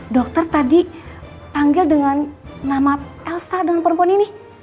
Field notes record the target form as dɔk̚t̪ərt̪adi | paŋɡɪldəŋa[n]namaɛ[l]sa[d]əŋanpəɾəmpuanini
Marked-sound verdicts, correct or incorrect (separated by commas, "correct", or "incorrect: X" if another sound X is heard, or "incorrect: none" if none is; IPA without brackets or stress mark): correct, correct, correct